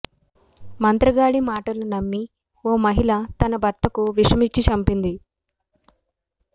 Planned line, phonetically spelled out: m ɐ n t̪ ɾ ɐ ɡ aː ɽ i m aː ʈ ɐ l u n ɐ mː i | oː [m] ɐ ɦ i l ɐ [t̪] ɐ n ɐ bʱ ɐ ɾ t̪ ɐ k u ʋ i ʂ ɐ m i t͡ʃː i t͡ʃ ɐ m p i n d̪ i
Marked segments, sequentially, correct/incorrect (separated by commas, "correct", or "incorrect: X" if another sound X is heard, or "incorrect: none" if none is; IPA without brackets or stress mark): correct, correct